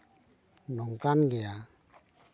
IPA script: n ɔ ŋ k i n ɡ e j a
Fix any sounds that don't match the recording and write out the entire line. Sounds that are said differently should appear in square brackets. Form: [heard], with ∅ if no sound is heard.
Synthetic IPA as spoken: n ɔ ŋ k [a] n ɡ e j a